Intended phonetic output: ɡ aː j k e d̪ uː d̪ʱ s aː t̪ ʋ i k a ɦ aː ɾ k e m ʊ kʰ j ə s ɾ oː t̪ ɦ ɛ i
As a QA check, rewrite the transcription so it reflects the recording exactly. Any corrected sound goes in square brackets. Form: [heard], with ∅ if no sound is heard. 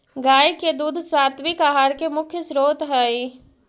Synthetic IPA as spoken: ɡ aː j k e d̪ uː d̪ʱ s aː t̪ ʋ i k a ɦ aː ɾ k e m ʊ kʰ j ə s ɾ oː t̪ ɦ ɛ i